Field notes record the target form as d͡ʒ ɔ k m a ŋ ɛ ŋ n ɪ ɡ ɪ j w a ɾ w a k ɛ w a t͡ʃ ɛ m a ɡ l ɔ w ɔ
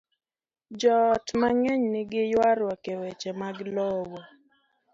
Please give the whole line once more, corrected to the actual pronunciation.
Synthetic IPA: d͡ʒ ɔ t m a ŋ ɛ ɲ n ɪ ɡ ɪ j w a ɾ w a k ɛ w ɛ t͡ʃ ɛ m a ɡ l ɔ w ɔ